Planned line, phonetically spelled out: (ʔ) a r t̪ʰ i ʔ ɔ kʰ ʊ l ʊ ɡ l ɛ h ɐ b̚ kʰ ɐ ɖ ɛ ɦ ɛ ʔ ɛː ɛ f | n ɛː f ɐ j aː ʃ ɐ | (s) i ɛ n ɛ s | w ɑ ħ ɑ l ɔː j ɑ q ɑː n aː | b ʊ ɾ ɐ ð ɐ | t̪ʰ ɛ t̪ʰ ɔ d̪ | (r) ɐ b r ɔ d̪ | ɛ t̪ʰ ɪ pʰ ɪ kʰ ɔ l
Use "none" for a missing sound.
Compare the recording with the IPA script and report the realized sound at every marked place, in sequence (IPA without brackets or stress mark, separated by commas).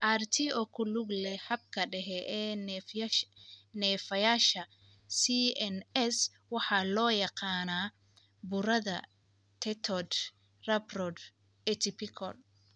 ʔ, s, r